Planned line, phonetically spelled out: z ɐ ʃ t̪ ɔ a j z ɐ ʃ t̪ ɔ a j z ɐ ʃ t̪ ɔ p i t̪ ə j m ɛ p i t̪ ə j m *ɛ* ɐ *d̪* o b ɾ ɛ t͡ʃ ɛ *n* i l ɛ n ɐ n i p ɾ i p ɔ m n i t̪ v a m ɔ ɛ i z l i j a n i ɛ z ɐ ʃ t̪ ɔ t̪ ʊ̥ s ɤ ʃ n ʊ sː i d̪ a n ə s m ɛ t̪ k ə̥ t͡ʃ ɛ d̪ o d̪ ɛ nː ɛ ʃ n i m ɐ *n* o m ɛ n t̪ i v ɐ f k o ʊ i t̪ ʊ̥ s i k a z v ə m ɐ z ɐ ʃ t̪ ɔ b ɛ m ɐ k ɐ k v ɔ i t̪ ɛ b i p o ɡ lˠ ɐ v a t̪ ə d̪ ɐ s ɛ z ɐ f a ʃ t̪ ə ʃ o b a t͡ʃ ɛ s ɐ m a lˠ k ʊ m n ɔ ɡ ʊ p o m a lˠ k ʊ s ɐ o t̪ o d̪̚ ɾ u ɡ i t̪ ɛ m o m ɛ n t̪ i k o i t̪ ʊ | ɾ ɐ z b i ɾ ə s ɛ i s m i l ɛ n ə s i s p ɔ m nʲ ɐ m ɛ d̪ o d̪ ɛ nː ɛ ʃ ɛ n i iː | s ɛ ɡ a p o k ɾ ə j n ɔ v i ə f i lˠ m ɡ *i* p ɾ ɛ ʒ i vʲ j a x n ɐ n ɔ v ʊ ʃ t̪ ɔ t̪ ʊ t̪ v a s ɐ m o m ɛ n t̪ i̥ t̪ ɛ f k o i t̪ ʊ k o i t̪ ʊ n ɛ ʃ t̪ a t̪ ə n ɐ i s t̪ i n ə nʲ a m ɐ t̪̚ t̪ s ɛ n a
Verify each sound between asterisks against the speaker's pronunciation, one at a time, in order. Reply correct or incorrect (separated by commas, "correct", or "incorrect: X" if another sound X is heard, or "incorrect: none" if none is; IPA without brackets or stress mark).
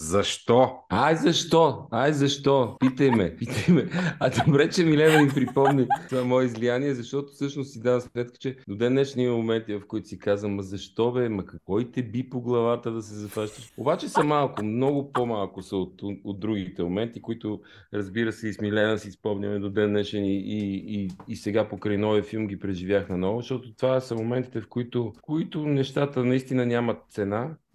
correct, correct, incorrect: m, incorrect: m, correct